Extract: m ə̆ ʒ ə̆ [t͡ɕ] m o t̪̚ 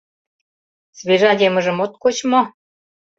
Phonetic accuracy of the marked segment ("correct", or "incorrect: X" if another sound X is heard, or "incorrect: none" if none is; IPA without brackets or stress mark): incorrect: none